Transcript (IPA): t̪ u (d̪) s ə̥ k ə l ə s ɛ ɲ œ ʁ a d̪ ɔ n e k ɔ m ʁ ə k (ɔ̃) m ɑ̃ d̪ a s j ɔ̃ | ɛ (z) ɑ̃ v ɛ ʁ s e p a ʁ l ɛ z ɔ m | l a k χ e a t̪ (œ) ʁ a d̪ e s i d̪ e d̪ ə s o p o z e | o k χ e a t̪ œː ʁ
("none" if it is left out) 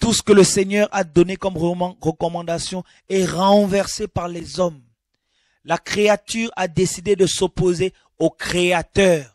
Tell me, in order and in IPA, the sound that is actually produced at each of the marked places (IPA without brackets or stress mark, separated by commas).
none, ɔ, ʁ, y